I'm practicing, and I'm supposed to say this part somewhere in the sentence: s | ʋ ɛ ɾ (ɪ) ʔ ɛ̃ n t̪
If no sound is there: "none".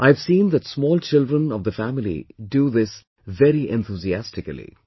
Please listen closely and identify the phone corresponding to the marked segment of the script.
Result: i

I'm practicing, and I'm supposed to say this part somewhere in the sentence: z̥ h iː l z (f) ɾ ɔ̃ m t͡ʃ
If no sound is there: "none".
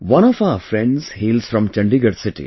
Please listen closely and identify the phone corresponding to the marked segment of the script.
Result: f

